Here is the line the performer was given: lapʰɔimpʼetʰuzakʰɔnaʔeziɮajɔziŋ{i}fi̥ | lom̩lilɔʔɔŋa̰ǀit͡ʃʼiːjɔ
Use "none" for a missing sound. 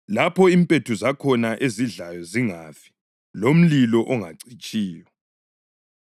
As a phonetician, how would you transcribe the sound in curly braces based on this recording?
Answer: a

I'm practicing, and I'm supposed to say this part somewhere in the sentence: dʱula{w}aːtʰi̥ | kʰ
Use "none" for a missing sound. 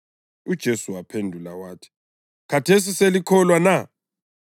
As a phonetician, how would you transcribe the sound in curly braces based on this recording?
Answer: w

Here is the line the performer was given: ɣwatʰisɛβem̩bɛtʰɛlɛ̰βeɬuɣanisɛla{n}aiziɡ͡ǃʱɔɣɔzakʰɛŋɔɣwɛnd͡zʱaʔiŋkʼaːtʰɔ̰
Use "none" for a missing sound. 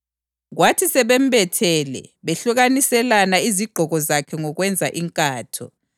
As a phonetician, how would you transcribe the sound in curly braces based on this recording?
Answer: n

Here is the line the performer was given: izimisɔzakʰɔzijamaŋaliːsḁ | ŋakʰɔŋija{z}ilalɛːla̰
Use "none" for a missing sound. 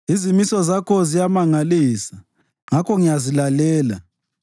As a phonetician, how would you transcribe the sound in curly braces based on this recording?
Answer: z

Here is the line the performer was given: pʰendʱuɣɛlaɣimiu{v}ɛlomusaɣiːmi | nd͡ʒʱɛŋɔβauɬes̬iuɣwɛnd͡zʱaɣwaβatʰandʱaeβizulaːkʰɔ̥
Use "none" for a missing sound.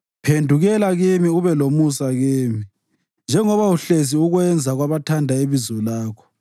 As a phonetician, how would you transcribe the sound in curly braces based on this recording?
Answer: β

